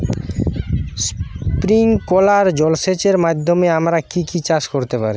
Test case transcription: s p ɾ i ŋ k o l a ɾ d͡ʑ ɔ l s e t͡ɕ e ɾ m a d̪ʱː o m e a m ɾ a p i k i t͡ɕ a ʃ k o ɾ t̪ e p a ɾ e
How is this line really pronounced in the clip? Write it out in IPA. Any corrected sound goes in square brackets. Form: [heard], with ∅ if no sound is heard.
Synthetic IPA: s p ɾ i ŋ k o l a ɾ d͡ʑ ɔ l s e t͡ɕ e ɾ m a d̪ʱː o m e a m ɾ a [k] i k i t͡ɕ a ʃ k o ɾ t̪ e p a ɾ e